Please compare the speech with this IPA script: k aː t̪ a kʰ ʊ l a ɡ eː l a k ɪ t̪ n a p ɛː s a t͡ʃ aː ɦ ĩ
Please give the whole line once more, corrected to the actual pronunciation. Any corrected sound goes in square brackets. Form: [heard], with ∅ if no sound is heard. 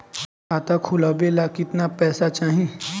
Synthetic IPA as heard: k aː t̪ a kʰ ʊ l a [b] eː l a k ɪ t̪ n a p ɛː s a t͡ʃ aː ɦ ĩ